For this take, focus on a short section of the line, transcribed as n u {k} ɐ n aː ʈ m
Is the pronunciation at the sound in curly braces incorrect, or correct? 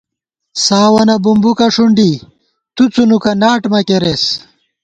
correct